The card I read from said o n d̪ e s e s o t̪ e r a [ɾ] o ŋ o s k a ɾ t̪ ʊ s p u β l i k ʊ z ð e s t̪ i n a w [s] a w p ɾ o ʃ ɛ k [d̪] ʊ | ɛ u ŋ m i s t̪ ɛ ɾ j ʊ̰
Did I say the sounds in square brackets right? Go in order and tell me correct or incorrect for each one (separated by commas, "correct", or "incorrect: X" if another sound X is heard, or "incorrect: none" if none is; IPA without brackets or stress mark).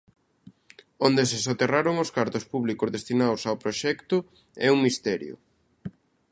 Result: correct, correct, incorrect: t̪